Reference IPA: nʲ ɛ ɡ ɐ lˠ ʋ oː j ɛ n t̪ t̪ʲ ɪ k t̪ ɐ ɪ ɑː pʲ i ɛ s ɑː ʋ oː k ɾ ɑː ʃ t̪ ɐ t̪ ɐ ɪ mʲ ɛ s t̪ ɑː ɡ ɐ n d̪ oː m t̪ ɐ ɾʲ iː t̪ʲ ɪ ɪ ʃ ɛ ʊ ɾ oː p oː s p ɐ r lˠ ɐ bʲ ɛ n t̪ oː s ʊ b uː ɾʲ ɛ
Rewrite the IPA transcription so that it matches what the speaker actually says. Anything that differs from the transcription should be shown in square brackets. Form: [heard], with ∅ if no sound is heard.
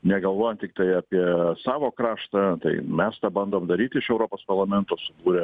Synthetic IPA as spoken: nʲ ɛ ɡ ɐ lˠ ʋ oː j ɛ n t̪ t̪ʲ ɪ k t̪ ɐ ɪ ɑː pʲ i ɛ s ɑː ʋ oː k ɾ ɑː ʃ t̪ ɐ t̪ ɐ ɪ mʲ ɛ s t̪ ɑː [b] ɐ n d̪ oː m [d̪] ɐ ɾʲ iː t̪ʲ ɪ ɪ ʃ ɛ ʊ ɾ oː p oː s p ɐ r lˠ ɐ [mʲ] ɛ n t̪ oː s ʊ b uː ɾʲ ɛ